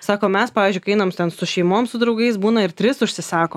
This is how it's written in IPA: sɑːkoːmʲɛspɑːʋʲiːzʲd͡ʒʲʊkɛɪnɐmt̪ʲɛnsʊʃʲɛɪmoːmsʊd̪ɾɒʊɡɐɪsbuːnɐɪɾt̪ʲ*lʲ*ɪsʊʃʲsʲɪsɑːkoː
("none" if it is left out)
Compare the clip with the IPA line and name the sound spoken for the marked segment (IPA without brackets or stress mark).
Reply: ɾʲ